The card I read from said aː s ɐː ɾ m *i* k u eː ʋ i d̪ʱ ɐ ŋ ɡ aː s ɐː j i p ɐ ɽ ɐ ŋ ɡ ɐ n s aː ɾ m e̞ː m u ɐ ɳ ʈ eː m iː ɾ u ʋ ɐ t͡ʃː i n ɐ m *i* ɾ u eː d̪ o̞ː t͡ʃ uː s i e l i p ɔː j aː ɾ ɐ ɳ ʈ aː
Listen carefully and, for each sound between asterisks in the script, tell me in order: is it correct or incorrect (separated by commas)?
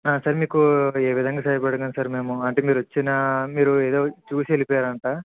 incorrect, incorrect